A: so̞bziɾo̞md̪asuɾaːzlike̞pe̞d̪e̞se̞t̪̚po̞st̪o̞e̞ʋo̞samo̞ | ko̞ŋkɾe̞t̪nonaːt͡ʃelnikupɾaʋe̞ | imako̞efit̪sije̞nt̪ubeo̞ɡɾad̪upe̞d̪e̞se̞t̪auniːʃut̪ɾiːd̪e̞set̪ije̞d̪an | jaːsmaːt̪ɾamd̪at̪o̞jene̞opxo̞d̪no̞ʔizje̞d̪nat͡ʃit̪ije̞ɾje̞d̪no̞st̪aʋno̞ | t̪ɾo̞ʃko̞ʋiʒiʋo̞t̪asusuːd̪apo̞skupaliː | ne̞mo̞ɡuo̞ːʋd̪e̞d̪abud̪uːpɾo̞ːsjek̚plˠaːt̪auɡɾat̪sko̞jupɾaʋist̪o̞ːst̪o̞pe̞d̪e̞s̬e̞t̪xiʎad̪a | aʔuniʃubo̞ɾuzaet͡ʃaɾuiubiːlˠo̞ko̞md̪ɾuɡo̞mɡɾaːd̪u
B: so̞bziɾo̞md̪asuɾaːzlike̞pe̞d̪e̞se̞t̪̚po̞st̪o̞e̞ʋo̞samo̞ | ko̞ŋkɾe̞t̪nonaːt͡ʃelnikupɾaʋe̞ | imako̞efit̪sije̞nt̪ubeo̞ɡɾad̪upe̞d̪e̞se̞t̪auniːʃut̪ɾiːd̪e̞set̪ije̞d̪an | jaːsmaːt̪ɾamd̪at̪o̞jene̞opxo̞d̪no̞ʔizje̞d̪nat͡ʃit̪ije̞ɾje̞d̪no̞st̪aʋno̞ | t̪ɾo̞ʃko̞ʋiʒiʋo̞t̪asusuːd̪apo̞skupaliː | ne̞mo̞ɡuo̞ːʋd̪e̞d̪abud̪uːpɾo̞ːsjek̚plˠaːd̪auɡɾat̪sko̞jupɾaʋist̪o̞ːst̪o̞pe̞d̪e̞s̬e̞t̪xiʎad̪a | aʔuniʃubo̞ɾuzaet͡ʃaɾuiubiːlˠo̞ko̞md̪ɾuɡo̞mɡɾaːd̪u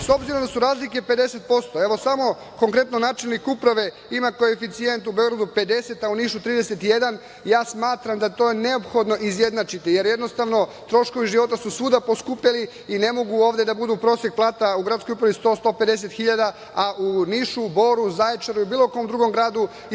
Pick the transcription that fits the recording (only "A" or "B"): A